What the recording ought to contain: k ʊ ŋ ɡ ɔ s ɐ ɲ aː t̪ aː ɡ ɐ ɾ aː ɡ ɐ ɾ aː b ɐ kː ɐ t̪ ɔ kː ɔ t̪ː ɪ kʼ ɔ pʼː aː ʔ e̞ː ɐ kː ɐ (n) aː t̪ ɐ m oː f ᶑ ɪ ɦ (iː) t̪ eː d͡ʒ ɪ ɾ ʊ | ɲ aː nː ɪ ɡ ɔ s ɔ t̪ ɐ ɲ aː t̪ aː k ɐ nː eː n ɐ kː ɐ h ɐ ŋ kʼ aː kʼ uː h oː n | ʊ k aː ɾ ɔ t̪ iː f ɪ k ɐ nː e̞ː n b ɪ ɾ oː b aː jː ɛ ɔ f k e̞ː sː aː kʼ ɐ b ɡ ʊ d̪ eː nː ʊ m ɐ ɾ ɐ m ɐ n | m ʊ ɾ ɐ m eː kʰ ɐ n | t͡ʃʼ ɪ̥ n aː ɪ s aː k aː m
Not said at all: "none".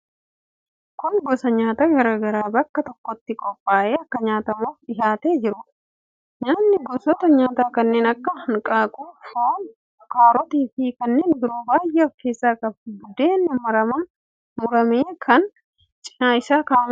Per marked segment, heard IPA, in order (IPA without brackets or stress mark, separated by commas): ɲ, aː